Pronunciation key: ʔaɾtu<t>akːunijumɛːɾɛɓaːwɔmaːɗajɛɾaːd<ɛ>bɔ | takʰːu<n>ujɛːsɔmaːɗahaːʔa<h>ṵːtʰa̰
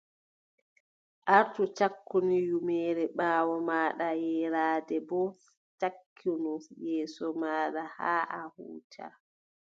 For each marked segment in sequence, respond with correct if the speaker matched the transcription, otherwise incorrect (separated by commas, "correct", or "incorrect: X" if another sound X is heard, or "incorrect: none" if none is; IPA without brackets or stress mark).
incorrect: t͡ʃ, correct, correct, correct